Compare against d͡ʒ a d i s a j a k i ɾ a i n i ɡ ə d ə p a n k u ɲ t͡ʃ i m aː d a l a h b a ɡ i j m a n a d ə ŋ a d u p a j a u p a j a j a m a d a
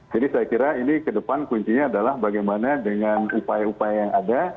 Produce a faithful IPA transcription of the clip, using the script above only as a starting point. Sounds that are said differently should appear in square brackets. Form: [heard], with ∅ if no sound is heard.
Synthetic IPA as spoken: d͡ʒ a d i s a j a k i ɾ a i n i [k] ə d ə p a n k u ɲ t͡ʃ i [ɲ] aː d a l a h b a ɡ [a] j m a n a d ə ŋ a [n] u p a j a u p a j a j a [ŋ] a d a

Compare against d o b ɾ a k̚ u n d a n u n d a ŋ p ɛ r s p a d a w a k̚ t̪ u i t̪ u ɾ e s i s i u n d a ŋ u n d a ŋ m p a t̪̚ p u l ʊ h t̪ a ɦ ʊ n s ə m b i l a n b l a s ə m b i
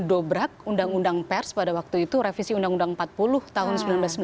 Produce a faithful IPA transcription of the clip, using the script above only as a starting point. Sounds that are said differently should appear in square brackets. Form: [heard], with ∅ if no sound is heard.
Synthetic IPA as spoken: d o b ɾ a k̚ u n d a [ŋ] u n d a ŋ p ɛ r s p a d a w a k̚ t̪ u i t̪ u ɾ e [f] i s i u n d a ŋ u n d a ŋ m p a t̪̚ p u l ʊ h t̪ a ɦ ʊ n s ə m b i l a n b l a s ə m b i

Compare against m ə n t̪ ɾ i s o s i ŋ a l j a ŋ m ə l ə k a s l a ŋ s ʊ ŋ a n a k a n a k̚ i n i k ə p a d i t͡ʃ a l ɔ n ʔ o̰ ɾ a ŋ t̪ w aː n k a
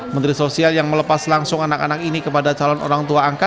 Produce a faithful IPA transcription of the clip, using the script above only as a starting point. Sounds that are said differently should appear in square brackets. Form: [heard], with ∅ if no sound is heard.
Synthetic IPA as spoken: m ə n t̪ ɾ i s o s i [∅] a l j a ŋ m ə l ə [p] a s l a ŋ s ʊ ŋ a n a k a n a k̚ i n i k ə p a d [a] t͡ʃ a l ɔ n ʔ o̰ ɾ a ŋ t̪ [u] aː [ŋ] k a

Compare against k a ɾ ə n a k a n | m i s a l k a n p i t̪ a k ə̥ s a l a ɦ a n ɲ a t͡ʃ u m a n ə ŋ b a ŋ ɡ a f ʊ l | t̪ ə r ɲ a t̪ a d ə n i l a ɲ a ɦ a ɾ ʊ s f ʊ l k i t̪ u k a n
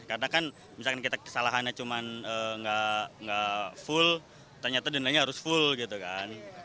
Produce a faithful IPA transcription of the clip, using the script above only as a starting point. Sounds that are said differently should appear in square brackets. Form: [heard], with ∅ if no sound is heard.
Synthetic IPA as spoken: k a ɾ ə n a k a n | m i s a l k a n [k] i t̪ a k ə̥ s a l a ɦ a n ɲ a t͡ʃ u m a n ə ŋ [ɡ] a ŋ ɡ a f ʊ l | t̪ ə r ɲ a t̪ a d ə n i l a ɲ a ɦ a ɾ ʊ s f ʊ l [ɡ] i t̪ u k a n

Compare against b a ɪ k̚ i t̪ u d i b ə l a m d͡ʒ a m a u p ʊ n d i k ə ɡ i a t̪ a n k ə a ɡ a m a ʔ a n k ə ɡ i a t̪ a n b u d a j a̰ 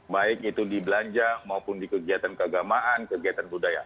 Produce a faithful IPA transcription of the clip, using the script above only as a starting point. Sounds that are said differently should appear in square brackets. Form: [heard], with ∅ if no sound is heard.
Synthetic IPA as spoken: b a ɪ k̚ i t̪ u d i b ə l a [ɲ] d͡ʒ a m a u p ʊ n d i k ə ɡ i a t̪ a n k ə a ɡ a m a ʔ a n k ə ɡ i a t̪ a n b u d a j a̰

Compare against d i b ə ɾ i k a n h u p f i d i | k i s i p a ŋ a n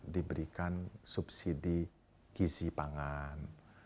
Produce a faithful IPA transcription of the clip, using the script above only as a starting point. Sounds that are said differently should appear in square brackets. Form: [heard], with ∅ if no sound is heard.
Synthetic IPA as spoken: d i b ə ɾ i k a n [s] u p [s] i d i | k i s i p a ŋ a n

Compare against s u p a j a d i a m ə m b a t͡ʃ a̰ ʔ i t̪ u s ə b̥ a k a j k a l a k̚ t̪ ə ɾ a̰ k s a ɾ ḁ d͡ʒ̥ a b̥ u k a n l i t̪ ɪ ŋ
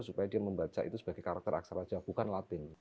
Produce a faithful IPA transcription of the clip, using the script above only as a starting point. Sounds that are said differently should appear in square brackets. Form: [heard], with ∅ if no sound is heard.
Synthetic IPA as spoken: s u p a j a d i a m ə m b a t͡ʃ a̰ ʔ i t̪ u s ə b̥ a [ɡ] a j k a [ɾ] a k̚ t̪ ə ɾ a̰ k s a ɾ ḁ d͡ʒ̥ a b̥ u k a n l [a] t̪ ɪ ŋ

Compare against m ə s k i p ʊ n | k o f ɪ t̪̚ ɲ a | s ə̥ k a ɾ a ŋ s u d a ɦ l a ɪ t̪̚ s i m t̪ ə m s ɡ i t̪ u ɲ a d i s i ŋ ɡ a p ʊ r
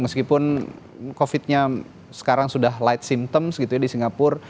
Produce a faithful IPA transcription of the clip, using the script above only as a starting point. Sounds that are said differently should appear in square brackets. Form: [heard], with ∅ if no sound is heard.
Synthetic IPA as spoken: m ə s k i p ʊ n | k o f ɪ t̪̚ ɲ a | s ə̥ k a ɾ a ŋ s u d a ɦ l a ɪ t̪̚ s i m t̪ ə m s ɡ i t̪ u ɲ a d i s i ŋ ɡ a p ʊ r

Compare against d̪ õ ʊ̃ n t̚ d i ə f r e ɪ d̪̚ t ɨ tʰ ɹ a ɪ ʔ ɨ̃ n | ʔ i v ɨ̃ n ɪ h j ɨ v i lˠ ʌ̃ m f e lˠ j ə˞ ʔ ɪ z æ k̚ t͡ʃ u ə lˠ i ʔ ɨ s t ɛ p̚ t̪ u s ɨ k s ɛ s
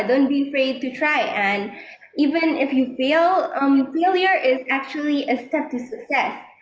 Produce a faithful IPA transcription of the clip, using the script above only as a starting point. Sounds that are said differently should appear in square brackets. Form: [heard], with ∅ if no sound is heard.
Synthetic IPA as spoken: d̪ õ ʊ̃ n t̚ [b] i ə f [ɹ] e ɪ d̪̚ t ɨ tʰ ɹ a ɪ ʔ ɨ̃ n | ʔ i v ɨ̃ n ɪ [f] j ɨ [f] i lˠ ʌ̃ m f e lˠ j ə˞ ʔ ɪ z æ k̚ t͡ʃ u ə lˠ i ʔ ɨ s t ɛ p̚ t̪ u s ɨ k s ɛ s

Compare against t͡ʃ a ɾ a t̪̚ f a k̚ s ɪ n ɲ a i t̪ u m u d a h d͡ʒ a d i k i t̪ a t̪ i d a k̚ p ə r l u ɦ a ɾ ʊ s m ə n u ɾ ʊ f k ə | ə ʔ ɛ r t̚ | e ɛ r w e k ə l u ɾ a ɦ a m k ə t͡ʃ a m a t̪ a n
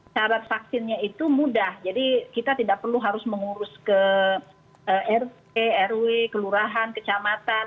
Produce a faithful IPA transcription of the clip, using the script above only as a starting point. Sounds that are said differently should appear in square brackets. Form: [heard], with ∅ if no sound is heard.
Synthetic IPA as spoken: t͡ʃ a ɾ a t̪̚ f a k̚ s ɪ n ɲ a i t̪ u m u d a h d͡ʒ a d i k i t̪ a t̪ i d a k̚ p ə r l u ɦ a ɾ ʊ s m ə [ŋ] u ɾ ʊ [s] k ə | ə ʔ ɛ r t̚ | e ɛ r w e k ə l u ɾ a ɦ a [n] k ə t͡ʃ a m a t̪ a n

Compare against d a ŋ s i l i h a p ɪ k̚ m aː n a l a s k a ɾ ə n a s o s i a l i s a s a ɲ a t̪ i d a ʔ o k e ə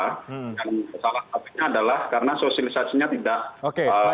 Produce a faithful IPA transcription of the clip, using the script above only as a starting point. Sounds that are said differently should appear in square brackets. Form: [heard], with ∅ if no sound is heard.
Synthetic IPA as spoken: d a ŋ s [a] l [a] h a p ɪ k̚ [ɲ] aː [d] a l a [h] k a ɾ ə n a s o s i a l i s a s [i] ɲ a t̪ i d a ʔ o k e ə

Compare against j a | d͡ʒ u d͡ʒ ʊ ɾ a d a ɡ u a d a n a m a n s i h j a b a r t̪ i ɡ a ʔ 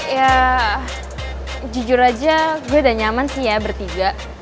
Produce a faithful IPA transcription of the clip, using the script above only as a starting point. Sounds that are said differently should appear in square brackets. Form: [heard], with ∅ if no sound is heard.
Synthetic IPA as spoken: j a | d͡ʒ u d͡ʒ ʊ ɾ a [d͡ʒ] a ɡ u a d a [ɲ] a m a n s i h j a b [ə] r t̪ i ɡ a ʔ

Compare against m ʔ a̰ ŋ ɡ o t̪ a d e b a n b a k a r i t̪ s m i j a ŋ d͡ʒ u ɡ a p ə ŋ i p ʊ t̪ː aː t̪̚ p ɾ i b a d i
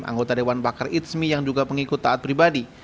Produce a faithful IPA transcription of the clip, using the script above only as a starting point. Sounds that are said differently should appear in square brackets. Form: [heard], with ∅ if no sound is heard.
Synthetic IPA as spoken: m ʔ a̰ ŋ ɡ o t̪ a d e [w] a n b a k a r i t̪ s m i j a ŋ d͡ʒ u ɡ a p ə ŋ i [k] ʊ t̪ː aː t̪̚ p ɾ i b a d i

